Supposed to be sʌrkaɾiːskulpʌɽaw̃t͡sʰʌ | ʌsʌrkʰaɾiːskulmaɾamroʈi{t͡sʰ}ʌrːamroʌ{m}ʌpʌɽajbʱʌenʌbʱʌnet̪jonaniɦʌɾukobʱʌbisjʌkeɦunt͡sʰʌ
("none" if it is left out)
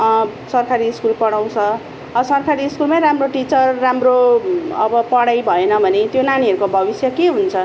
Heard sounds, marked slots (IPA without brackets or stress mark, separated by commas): t͡s, b